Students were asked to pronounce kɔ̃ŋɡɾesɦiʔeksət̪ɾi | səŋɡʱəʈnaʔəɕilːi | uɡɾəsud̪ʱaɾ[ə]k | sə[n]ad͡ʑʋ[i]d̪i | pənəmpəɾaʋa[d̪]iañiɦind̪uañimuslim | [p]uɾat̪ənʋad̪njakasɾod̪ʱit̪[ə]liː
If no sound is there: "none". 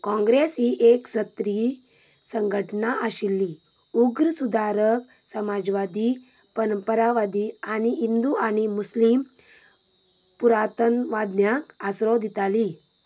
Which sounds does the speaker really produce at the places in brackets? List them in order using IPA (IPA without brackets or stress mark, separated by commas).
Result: ə, m, a, d̪, p, a